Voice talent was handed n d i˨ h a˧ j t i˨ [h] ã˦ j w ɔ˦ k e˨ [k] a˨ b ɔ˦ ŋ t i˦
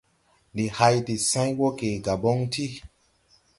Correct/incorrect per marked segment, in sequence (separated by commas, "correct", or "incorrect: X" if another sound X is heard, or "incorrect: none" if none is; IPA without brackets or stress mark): incorrect: s, incorrect: ɡ